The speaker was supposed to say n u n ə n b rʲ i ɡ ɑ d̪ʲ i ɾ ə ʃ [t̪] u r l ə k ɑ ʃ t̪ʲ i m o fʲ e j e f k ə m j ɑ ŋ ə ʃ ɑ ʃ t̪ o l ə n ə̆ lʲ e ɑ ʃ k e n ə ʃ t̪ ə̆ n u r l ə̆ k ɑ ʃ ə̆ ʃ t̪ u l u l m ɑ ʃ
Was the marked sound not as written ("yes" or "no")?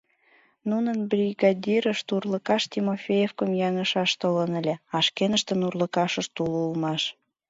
no